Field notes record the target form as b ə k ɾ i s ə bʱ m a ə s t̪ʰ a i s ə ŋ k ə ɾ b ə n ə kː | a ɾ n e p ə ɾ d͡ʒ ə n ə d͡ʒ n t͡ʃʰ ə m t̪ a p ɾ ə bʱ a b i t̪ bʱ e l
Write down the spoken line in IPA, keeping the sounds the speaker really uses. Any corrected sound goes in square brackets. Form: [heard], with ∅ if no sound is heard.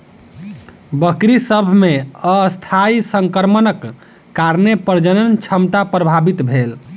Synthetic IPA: b ə k ɾ i s ə bʱ m [e] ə s t̪ʰ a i s ə ŋ k ə ɾ [m] ə n ə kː | a ɾ n e p ə ɾ d͡ʒ ə n ə [∅] n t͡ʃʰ ə m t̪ a p ɾ ə bʱ a b i t̪ bʱ e l